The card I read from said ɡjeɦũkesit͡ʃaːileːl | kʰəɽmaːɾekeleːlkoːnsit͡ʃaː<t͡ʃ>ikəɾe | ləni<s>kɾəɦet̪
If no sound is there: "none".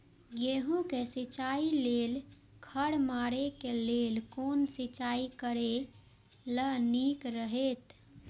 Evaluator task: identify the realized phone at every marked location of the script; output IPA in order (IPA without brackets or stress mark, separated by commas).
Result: none, none